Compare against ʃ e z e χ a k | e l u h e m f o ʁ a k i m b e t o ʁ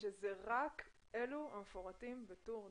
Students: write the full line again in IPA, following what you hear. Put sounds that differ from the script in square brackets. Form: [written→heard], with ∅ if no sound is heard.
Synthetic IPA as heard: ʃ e z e [χ→ʁ] a k | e l u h [e→a] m f o ʁ a [k→t] i m b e t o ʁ